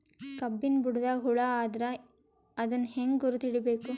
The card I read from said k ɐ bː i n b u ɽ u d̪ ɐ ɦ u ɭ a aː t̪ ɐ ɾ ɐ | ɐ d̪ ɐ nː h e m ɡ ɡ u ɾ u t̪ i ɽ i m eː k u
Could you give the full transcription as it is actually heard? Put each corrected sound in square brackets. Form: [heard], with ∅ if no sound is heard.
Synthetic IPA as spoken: k ɐ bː i n b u ɽ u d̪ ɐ ɦ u ɭ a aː [d̪] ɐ ɾ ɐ | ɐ d̪ ɐ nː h e [ŋ] ɡ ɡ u ɾ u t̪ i ɽ i [b] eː k u